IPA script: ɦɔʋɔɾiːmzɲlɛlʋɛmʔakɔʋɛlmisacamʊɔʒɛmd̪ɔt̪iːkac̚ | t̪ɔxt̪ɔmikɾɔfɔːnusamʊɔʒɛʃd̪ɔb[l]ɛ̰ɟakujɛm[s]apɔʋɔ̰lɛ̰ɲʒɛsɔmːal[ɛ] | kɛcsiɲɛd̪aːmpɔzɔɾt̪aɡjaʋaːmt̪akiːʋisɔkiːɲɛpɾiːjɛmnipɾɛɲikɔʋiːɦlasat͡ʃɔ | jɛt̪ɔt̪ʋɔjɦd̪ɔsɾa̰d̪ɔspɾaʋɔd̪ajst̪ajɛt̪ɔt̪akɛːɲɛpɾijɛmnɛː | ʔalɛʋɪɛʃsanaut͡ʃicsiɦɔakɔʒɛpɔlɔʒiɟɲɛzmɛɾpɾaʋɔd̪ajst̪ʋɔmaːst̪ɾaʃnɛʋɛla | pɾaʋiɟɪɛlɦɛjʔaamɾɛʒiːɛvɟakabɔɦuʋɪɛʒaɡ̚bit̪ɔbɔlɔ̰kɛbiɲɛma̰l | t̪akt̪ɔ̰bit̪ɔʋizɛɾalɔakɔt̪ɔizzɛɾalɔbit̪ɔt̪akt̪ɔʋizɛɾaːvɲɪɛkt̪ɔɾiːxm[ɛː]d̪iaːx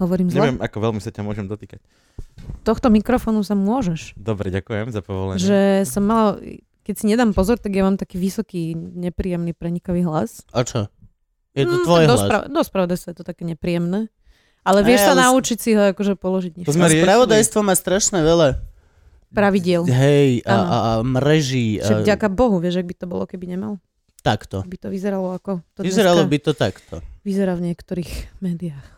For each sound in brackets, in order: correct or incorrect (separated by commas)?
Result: incorrect, incorrect, incorrect, correct